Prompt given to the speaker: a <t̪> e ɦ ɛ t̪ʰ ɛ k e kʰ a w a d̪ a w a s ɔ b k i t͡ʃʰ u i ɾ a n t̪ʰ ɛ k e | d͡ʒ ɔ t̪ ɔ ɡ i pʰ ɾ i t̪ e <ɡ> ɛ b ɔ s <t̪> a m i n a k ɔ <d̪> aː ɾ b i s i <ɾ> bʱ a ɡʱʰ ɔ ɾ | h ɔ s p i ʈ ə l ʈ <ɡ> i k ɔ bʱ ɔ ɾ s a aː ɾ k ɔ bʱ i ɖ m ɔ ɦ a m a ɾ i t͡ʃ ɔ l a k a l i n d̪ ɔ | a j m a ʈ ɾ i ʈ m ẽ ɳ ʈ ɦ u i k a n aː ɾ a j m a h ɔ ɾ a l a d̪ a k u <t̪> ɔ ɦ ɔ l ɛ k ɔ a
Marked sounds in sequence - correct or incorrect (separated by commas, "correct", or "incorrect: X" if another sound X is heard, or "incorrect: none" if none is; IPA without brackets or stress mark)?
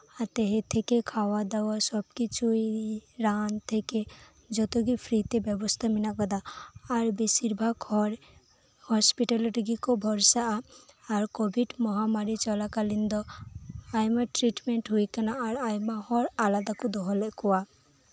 correct, incorrect: b, incorrect: t̪ʰ, correct, correct, correct, incorrect: d̪